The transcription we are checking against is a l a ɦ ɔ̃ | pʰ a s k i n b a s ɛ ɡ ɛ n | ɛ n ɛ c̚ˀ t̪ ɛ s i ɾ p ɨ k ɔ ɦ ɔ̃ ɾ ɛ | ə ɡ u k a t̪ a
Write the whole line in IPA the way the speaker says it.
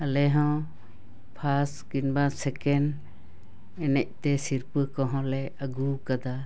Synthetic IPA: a l ɛ ɦ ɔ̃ | pʰ a s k i n b a s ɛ k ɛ n | ɛ n ɛ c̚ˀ t̪ ɛ s i ɾ p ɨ k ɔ ɦ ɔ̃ l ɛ | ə ɡ u k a d̪ a